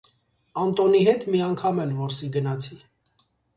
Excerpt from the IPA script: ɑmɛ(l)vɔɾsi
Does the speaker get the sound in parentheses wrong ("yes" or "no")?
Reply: no